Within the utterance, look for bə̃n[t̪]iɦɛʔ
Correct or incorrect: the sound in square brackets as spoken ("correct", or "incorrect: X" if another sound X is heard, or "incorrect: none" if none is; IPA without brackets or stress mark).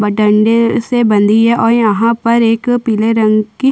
incorrect: d̪